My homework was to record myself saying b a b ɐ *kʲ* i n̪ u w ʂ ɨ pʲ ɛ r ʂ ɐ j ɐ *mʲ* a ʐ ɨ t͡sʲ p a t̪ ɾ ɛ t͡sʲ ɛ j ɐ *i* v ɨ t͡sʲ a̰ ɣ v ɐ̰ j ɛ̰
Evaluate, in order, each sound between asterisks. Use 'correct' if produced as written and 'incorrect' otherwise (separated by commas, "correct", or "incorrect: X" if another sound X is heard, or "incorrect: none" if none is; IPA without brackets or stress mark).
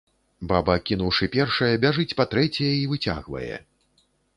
correct, incorrect: bʲ, correct